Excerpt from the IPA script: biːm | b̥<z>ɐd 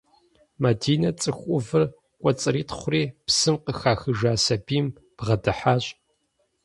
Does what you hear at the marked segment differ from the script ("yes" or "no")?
yes